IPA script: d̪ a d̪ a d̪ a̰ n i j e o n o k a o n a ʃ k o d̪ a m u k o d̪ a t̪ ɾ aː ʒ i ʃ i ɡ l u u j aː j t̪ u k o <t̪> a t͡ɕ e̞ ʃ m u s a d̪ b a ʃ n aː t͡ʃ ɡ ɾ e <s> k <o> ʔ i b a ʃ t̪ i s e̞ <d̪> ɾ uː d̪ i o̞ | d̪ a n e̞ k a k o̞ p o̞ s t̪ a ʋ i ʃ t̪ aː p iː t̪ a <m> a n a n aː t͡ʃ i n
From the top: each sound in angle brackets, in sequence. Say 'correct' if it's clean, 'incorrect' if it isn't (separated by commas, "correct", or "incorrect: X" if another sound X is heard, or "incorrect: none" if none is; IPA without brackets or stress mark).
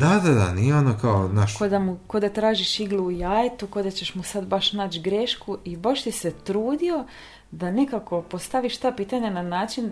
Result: incorrect: d̪, incorrect: ʃ, incorrect: u, incorrect: t̪, incorrect: ɲ